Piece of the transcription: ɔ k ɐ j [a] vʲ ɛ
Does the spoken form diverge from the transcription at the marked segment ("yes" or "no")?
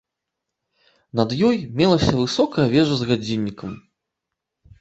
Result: yes